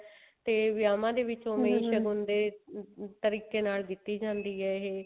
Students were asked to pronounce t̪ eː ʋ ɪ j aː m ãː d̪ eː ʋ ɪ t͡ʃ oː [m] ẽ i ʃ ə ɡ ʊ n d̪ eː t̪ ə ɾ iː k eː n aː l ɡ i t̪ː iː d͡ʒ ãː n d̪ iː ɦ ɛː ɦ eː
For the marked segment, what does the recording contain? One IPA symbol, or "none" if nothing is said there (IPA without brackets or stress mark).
m